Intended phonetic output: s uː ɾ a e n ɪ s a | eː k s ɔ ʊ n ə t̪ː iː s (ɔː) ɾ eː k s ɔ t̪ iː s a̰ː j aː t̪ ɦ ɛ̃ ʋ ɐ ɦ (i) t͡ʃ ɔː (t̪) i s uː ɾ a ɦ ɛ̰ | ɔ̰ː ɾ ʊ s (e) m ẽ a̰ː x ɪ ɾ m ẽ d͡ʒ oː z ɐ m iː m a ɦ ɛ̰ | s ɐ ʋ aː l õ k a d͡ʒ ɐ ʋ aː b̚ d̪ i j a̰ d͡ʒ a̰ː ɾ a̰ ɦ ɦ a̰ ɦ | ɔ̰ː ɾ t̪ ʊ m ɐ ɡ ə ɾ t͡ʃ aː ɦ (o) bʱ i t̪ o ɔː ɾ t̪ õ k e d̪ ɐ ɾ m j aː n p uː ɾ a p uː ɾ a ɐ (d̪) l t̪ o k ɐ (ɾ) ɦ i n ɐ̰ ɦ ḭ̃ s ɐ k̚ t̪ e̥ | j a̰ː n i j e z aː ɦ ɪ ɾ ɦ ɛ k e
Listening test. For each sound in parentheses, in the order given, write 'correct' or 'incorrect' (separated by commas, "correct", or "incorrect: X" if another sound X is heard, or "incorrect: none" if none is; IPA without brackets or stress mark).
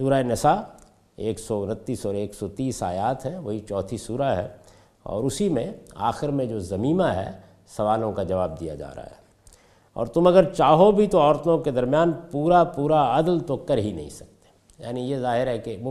correct, correct, incorrect: t̪ʰ, incorrect: i, correct, correct, correct